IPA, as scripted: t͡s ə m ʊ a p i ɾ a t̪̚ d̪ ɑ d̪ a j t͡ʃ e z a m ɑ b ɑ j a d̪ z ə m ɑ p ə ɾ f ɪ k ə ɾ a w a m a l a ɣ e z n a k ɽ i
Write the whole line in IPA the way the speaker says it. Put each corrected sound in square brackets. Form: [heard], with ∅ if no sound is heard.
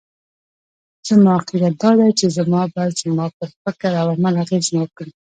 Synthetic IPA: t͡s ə m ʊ a [q] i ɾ a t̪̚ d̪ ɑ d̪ a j t͡ʃ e z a m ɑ b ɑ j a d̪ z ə m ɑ p ə ɾ f ɪ k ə ɾ a w a m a l a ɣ e z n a k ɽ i

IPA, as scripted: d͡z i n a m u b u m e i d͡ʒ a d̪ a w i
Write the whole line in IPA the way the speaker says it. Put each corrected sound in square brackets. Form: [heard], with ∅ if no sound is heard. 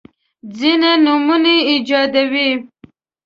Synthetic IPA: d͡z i n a [n] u [m] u [n] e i d͡ʒ [ɑ] d̪ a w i

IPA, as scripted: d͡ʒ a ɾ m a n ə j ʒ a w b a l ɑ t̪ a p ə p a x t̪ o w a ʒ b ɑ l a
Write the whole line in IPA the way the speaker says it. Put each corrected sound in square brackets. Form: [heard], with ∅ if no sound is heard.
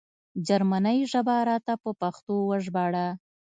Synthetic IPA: d͡ʒ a ɾ m a n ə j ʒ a [∅] b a [ɾ] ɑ t̪ a p ə p a x t̪ o w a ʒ b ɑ [ɽ] a

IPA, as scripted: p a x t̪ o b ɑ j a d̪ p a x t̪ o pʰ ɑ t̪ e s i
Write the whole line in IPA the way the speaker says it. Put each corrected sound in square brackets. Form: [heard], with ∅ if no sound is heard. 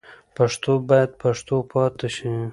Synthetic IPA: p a [ʂ] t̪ o b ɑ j a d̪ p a [ʂ] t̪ o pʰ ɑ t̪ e [ʃ] i

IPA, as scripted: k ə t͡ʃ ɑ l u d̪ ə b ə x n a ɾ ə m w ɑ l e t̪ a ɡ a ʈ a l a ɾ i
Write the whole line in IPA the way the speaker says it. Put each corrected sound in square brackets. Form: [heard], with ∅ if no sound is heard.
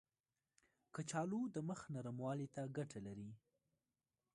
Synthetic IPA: k ə t͡ʃ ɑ l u d̪ ə [m] ə x n a ɾ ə m w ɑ l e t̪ a ɡ a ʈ a l a ɾ i

